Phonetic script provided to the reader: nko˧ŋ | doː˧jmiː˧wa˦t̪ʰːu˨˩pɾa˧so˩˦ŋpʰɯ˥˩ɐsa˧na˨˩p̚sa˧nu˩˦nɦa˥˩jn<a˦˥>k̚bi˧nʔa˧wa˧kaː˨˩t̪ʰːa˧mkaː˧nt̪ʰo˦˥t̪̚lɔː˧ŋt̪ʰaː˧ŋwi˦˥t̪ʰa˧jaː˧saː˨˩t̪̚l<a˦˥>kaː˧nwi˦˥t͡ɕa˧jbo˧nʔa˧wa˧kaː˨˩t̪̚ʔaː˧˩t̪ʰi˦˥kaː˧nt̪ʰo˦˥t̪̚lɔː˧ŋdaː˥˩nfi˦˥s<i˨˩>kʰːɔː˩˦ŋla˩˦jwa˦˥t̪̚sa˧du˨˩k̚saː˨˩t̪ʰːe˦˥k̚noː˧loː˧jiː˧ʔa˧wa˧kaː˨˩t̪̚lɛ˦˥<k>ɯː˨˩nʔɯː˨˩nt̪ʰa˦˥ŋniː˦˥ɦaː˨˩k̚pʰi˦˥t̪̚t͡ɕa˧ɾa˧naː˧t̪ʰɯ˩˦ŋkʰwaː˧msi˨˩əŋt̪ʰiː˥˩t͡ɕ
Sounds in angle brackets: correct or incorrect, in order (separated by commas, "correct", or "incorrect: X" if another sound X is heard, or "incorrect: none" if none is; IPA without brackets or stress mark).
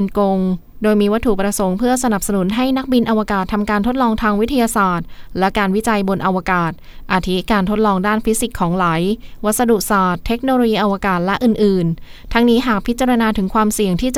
correct, incorrect: ɛ˦˥, correct, incorrect: ʔ